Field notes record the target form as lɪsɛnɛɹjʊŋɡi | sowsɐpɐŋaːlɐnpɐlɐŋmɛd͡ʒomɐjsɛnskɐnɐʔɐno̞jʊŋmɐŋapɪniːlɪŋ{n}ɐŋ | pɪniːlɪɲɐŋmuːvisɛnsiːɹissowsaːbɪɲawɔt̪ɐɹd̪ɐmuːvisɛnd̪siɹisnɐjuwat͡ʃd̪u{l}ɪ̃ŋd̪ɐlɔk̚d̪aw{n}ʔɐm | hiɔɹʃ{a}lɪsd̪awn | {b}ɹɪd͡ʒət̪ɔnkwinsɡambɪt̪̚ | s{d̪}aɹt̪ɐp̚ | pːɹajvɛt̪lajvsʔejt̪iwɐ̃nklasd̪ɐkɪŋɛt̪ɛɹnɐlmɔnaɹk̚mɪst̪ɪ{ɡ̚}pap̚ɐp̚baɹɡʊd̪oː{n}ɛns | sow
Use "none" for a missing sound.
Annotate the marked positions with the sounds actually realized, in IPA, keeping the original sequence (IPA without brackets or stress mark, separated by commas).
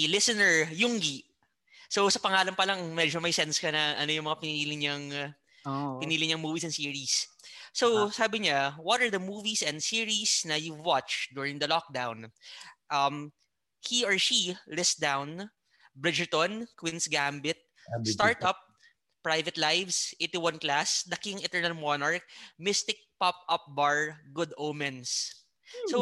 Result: ɲ, ɹ, n, i, b, t̪, k̚, m